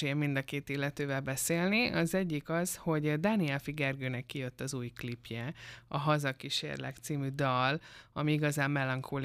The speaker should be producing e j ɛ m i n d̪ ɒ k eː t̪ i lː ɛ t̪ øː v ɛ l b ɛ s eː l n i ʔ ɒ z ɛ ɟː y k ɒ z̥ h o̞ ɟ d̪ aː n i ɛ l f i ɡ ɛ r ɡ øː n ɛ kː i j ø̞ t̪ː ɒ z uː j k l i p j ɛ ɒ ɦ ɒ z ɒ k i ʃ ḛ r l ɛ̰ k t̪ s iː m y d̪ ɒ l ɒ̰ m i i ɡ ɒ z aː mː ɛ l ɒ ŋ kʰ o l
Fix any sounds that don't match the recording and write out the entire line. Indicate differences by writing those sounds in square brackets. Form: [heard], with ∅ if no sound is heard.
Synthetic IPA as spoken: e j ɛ m i n d̪ ɒ k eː t̪ i lː ɛ t̪ øː v ɛ l b ɛ s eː l n i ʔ ɒ z ɛ ɟː [i] k ɒ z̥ h o̞ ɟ d̪ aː n i ɛ l f i ɡ ɛ r ɡ øː n ɛ kː i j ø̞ t̪ː ɒ z uː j k l i p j ɛ ɒ ɦ ɒ z ɒ k i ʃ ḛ r l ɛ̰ k t̪ s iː m y d̪ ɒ l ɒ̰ m i i ɡ ɒ z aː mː ɛ l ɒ ŋ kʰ o l